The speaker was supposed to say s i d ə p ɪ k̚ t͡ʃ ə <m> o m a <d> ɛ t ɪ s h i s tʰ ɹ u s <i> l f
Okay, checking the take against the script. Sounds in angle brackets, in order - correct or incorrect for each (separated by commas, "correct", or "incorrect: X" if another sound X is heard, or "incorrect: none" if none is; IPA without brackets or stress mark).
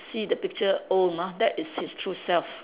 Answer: incorrect: none, correct, incorrect: ɛ